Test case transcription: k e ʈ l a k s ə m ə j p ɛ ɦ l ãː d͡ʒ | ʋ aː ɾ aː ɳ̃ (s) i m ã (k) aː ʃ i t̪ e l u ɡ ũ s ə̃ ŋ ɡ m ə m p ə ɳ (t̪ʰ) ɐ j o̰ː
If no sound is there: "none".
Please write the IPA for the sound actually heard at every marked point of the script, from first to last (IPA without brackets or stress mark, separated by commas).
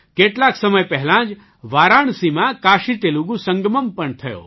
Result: s, k, t̪ʰ